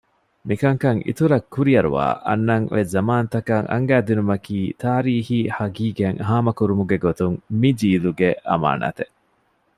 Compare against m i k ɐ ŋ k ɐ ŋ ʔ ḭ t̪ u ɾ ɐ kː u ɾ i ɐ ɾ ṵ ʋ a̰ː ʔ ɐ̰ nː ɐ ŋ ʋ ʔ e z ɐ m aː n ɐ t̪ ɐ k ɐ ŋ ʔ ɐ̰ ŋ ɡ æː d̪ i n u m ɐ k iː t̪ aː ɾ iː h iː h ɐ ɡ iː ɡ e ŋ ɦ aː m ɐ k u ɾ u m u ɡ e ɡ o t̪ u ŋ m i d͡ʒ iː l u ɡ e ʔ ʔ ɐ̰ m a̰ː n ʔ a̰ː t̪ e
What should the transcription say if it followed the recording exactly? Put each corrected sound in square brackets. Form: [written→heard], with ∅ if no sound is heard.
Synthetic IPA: m i k ɐ ŋ k ɐ ŋ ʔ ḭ t̪ u ɾ ɐ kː u ɾ i ɐ ɾ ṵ ʋ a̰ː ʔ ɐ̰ nː ɐ ŋ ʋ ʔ e z ɐ m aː n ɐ t̪ ɐ k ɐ ŋ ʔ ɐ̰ ŋ ɡ æː d̪ i n u m ɐ k iː t̪ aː ɾ iː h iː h ɐ ɡ iː ɡ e ŋ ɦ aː m ɐ k u ɾ u m u ɡ e ɡ o t̪ u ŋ m i d͡ʒ iː l u ɡ e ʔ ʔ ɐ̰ m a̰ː n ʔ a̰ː t̪ e